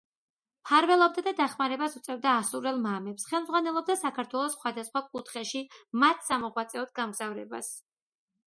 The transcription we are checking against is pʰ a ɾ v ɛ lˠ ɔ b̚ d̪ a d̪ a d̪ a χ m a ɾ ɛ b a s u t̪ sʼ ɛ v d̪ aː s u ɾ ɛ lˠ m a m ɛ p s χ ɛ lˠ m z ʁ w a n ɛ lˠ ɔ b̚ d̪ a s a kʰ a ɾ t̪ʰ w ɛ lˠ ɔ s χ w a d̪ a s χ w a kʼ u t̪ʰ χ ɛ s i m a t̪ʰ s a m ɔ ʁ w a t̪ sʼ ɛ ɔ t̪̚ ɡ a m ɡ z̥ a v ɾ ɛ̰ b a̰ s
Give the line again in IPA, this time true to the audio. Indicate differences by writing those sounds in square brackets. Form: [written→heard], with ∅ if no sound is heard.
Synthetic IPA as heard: pʰ a ɾ v ɛ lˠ ɔ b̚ d̪ a d̪ a d̪ a χ m a ɾ ɛ b a s u t̪ sʼ ɛ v d̪ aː s u ɾ ɛ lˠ m a m ɛ p s χ ɛ lˠ m z ʁ w a n ɛ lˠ ɔ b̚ d̪ a s a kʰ a ɾ t̪ʰ w ɛ lˠ ɔ s χ w a d̪ a s χ w a kʼ u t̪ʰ χ ɛ [s→ʃ] i m a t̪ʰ s a m ɔ ʁ w a t̪ sʼ ɛ ɔ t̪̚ ɡ a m ɡ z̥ a v ɾ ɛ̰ b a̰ s

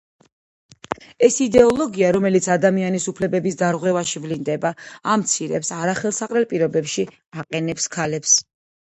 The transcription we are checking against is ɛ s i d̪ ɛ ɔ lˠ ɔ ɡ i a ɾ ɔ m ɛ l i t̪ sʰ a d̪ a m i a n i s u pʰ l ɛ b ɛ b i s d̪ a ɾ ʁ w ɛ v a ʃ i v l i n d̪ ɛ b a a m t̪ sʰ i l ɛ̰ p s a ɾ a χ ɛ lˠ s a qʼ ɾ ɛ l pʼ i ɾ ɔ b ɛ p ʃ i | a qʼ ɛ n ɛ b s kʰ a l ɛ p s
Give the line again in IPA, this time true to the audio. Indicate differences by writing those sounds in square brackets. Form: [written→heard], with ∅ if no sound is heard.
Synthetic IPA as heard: ɛ s i d̪ ɛ ɔ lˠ ɔ ɡ i a ɾ ɔ m ɛ l i t̪ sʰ a d̪ a m i a n i s u pʰ l ɛ b ɛ b i s d̪ a ɾ ʁ w ɛ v a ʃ i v l i n d̪ ɛ b a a m t̪ sʰ i [l→ɾ] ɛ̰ p s a ɾ a χ ɛ lˠ s a qʼ ɾ ɛ l pʼ i ɾ ɔ b ɛ p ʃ i | a qʼ ɛ n ɛ [b→p] s kʰ a l ɛ p s

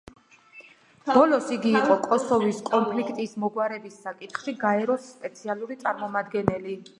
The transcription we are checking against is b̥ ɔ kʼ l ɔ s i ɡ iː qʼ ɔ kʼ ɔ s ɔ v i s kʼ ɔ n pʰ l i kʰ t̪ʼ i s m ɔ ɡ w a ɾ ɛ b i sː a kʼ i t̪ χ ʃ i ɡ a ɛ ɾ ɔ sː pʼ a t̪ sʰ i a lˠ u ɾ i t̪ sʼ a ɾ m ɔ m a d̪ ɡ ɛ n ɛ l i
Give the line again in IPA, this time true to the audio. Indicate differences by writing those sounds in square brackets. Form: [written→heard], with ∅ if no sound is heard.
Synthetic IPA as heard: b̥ ɔ [kʼ→∅] l ɔ s i ɡ iː qʼ ɔ kʼ ɔ s ɔ v i s kʼ ɔ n pʰ l i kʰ t̪ʼ i s m ɔ ɡ w a ɾ ɛ b i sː a kʼ i t̪ χ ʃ i ɡ a ɛ ɾ ɔ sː pʼ [a→ɛ] t̪ sʰ i a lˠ u ɾ i t̪ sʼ a ɾ m ɔ m a d̪ ɡ ɛ n ɛ l i

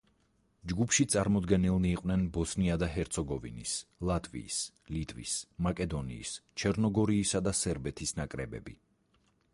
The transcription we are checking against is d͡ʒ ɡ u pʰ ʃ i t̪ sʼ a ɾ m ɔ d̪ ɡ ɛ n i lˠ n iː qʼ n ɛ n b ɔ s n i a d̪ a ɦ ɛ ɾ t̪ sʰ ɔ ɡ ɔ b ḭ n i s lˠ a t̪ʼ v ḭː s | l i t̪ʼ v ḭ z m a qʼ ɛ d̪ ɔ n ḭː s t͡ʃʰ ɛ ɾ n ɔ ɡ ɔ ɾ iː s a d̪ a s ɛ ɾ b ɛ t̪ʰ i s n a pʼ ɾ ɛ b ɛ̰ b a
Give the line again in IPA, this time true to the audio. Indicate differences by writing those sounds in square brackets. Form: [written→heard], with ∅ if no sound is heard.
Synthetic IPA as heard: d͡ʒ ɡ u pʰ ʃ i t̪ sʼ a ɾ m ɔ d̪ ɡ ɛ n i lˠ n iː qʼ n ɛ n b ɔ s n i a d̪ a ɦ ɛ ɾ t̪ sʰ ɔ ɡ ɔ [b→v] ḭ n i s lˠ a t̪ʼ v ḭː s | l i t̪ʼ v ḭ [z→s] m a [qʼ→kʼ] ɛ d̪ ɔ n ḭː s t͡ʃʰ ɛ ɾ n ɔ ɡ ɔ ɾ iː s a d̪ a s ɛ ɾ b ɛ t̪ʰ i s n a [pʼ→kʼ] ɾ ɛ b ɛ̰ b [a→i]

